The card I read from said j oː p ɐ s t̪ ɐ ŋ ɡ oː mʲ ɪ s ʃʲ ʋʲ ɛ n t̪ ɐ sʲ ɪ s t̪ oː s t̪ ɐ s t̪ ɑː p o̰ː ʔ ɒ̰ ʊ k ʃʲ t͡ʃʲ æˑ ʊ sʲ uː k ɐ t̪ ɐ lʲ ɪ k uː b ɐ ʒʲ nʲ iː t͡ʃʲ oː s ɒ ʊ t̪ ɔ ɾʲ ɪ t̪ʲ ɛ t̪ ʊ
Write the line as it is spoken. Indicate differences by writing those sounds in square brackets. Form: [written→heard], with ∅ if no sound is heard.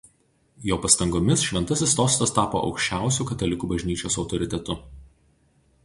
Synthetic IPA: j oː p ɐ s t̪ ɐ ŋ ɡ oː mʲ ɪ s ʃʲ ʋʲ ɛ n t̪ ɐ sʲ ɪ s t̪ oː s t̪ ɐ s t̪ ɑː p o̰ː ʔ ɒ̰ ʊ k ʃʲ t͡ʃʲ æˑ ʊ sʲ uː k ɐ t̪ ɐ lʲ ɪ k uː b ɐ ʒʲ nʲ iː t͡ʃʲ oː s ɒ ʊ t̪ ɔ ɾʲ ɪ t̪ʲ ɛ t̪ ʊ